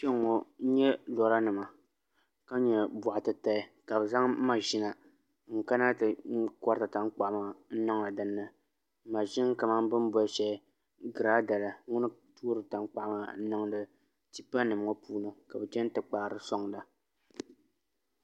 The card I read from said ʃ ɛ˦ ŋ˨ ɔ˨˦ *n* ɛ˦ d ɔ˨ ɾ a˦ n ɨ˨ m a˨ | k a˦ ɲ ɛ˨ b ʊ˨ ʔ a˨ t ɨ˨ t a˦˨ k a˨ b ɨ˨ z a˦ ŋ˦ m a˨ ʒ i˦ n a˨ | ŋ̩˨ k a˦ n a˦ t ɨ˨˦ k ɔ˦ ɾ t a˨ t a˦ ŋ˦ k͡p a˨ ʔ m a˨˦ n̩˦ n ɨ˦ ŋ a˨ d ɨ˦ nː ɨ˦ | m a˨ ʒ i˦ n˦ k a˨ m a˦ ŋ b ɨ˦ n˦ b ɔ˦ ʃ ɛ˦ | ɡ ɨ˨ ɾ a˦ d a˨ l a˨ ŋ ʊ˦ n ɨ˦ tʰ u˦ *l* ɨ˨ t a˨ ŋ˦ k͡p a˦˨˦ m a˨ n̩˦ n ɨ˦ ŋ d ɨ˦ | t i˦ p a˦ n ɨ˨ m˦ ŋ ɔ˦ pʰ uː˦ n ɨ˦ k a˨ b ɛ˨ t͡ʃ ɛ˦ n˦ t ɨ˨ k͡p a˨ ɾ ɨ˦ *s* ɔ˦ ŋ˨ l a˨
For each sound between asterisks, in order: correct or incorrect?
incorrect, incorrect, correct

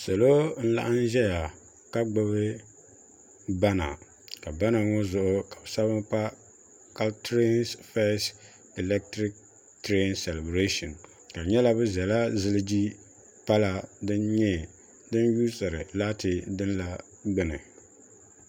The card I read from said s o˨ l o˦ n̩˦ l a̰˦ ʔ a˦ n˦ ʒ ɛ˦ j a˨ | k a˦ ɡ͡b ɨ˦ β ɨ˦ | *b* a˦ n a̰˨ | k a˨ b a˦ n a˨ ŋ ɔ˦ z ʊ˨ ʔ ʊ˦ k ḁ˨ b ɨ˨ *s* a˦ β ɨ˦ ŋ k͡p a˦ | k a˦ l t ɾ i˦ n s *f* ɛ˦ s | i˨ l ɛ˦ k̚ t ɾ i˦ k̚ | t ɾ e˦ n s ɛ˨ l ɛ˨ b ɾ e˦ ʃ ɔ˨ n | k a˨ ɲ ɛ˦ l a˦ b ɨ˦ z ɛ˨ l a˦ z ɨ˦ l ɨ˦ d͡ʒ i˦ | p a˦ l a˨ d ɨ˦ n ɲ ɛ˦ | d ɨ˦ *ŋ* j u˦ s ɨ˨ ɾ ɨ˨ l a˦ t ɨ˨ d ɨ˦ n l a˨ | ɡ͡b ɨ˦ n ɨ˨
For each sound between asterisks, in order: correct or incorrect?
correct, correct, correct, incorrect

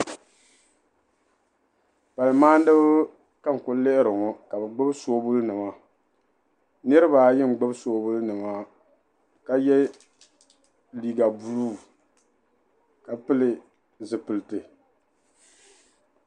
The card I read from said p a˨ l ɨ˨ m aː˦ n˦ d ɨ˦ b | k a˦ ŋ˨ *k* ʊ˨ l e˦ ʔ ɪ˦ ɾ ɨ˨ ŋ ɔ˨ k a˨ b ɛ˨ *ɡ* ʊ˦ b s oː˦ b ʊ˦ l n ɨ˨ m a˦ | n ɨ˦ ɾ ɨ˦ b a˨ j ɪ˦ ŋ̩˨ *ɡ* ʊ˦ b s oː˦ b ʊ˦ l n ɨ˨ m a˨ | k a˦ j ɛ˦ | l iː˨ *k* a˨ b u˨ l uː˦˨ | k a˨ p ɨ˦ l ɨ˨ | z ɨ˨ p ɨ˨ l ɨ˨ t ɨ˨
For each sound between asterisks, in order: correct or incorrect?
correct, incorrect, incorrect, incorrect

